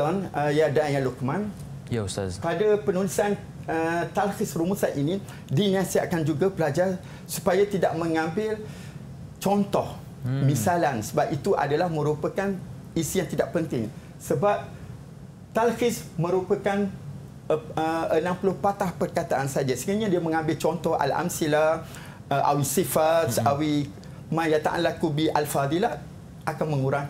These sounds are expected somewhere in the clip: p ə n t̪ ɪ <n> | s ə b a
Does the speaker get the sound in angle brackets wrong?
yes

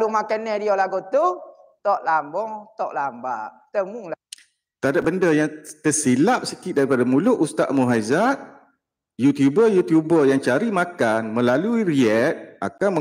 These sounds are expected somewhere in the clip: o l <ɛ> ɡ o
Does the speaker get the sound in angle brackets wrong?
yes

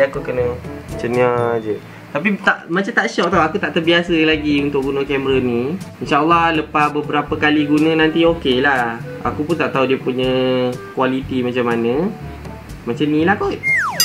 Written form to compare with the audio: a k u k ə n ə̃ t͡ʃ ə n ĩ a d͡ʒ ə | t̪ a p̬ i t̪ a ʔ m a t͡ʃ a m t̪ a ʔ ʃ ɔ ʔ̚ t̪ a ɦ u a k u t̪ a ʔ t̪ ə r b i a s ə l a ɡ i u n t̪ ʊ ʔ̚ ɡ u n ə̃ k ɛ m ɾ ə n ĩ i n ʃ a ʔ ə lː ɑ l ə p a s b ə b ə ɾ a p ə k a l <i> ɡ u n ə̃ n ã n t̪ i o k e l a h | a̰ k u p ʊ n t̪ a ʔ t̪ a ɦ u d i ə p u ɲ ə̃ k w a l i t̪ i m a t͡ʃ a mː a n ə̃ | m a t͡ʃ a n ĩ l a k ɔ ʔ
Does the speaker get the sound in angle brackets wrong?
no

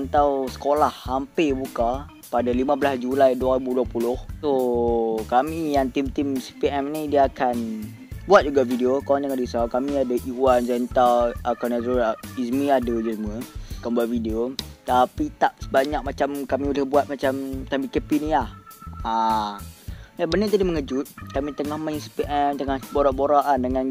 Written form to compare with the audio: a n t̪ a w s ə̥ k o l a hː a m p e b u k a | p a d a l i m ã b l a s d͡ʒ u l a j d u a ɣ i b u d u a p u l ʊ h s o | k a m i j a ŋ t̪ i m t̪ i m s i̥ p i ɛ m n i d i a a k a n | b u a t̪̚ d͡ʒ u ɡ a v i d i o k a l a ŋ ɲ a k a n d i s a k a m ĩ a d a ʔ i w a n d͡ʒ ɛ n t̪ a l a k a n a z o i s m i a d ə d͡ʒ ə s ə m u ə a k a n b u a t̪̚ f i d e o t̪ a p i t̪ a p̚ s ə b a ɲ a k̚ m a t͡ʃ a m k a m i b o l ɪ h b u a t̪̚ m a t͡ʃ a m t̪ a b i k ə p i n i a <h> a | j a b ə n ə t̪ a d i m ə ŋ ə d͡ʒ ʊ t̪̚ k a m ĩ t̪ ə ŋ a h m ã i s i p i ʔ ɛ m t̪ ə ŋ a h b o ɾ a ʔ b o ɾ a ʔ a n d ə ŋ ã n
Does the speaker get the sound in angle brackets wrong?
no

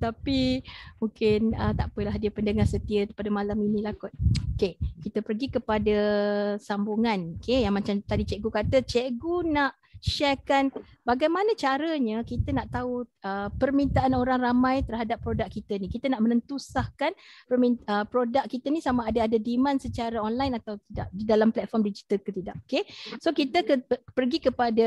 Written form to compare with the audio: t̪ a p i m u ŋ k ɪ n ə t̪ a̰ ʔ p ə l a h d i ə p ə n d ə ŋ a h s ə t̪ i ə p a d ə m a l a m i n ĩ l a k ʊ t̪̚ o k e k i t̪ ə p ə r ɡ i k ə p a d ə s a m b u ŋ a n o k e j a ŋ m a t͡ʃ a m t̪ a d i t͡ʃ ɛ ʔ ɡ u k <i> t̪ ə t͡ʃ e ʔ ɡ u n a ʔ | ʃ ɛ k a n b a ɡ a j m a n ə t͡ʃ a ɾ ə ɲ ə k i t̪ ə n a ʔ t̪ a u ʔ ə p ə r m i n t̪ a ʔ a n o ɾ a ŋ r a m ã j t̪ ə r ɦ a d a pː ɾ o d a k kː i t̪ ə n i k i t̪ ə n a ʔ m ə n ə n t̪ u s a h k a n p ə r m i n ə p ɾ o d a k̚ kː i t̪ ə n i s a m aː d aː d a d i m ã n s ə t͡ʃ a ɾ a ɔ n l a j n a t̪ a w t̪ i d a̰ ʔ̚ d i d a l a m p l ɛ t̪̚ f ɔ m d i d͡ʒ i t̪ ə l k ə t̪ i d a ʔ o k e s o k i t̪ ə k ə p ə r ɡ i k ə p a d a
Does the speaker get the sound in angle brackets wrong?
yes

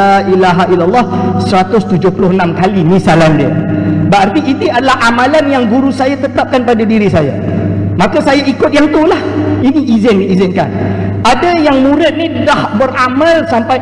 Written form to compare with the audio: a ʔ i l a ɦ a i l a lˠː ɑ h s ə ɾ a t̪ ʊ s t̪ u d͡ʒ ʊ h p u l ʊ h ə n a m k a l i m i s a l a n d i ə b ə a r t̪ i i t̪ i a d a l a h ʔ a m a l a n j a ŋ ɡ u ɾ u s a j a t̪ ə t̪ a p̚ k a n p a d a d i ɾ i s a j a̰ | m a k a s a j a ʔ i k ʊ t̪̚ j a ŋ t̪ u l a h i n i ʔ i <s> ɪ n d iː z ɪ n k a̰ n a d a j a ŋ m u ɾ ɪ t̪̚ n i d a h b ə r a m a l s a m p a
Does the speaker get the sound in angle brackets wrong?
yes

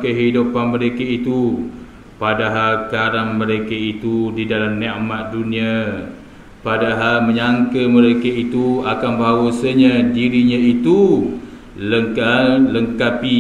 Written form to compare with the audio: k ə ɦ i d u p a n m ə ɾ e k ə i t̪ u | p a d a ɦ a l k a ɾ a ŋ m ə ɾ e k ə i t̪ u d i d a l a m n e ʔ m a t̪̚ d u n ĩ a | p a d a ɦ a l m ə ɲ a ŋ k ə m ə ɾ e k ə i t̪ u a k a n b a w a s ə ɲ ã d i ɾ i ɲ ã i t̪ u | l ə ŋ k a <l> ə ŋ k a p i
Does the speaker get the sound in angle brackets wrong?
no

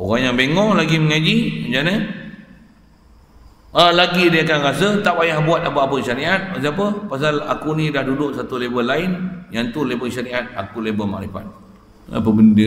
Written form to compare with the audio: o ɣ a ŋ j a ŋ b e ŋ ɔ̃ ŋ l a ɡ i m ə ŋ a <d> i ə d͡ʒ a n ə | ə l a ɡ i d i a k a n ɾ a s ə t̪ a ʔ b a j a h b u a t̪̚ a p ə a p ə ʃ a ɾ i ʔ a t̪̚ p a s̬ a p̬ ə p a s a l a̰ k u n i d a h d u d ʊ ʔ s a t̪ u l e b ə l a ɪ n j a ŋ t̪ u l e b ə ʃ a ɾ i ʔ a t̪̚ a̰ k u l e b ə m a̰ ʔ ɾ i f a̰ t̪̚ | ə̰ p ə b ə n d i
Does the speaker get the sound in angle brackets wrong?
yes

